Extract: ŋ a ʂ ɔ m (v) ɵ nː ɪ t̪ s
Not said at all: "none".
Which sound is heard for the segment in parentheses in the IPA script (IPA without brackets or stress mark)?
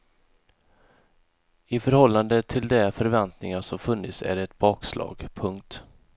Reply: f